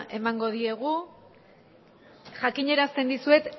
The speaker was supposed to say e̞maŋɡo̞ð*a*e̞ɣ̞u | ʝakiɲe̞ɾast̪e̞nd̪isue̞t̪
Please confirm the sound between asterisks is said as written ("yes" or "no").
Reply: no